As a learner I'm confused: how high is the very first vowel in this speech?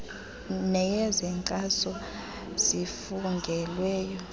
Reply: mid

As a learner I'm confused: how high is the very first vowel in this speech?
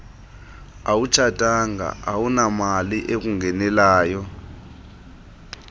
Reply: low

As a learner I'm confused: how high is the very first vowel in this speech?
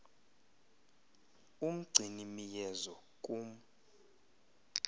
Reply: high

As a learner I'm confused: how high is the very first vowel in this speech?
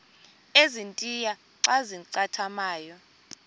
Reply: mid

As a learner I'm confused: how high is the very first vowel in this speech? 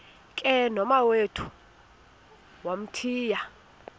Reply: mid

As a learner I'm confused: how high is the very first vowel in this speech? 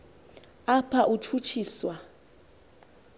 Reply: low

